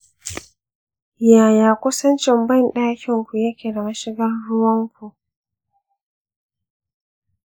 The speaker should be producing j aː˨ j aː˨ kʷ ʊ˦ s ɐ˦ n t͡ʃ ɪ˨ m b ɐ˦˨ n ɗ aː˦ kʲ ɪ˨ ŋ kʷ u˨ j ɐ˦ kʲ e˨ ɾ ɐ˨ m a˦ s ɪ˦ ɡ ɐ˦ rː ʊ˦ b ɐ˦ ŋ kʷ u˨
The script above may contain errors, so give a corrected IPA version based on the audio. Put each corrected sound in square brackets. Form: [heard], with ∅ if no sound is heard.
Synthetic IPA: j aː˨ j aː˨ kʷ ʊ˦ s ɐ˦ n t͡ʃ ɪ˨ m b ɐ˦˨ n ɗ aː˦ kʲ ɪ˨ ŋ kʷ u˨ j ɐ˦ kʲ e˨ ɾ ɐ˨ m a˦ [ʃ] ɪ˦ ɡ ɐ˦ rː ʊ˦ [w] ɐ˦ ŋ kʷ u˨